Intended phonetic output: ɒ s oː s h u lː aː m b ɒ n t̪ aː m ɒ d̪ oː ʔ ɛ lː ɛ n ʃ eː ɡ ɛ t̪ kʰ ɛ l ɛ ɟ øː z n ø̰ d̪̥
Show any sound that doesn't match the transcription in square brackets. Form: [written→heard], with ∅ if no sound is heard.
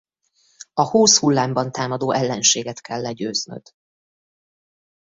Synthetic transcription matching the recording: ɒ [s→h] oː s h u lː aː m b ɒ n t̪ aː m ɒ d̪ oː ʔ ɛ lː ɛ n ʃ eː ɡ ɛ t̪ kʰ ɛ [l→lː] ɛ ɟ øː z n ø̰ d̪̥